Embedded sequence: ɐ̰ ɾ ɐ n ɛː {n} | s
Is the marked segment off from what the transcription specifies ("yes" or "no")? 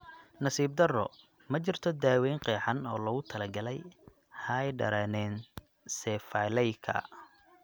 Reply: no